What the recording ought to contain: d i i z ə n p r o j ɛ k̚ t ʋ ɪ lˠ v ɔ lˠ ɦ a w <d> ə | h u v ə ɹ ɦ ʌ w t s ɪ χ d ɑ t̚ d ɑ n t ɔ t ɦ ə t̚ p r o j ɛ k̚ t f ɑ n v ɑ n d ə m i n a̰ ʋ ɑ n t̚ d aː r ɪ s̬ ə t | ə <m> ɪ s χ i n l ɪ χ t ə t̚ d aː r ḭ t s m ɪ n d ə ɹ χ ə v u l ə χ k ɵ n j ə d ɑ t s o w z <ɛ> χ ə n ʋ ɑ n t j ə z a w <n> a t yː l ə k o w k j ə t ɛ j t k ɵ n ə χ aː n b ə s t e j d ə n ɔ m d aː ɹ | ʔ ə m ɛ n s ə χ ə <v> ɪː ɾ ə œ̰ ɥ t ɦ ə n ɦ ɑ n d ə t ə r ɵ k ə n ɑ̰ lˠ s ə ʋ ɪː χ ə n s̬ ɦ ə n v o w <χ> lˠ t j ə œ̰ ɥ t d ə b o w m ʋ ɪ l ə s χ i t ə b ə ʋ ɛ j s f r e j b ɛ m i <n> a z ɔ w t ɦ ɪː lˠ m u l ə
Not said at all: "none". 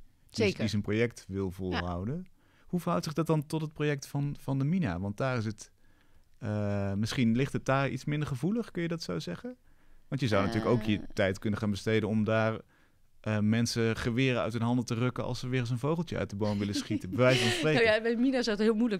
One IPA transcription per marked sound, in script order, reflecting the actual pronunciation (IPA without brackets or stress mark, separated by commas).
d, m, ɛ, n, ʋ, χ, n